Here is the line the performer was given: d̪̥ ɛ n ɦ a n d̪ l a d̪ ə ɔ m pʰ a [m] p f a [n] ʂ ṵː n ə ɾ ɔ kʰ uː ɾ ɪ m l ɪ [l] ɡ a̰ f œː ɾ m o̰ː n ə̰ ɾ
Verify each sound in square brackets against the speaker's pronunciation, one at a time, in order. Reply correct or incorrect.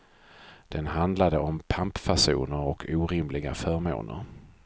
correct, incorrect: none, incorrect: none

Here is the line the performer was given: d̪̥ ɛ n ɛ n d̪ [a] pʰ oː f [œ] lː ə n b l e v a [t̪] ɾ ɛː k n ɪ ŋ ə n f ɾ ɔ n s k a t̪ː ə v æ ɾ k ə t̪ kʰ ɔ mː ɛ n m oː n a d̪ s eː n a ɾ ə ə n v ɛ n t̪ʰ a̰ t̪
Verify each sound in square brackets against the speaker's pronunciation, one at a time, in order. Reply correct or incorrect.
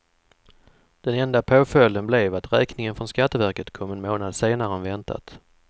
correct, correct, correct

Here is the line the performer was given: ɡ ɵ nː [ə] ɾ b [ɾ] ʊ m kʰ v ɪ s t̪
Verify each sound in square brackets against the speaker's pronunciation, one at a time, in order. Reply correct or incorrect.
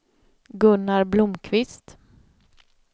incorrect: a, incorrect: l

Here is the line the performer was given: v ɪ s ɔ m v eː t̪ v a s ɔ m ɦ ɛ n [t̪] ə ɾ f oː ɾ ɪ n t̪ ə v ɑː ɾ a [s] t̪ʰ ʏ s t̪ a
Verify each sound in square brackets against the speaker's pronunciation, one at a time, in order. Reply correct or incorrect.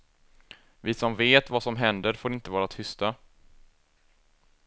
incorrect: d̪, incorrect: none

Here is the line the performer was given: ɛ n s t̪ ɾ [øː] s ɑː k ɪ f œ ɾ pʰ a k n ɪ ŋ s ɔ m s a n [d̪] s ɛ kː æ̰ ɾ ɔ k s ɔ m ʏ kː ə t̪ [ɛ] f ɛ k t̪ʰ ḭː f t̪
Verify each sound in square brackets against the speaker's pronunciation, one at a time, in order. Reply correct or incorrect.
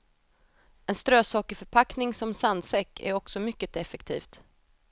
correct, correct, correct

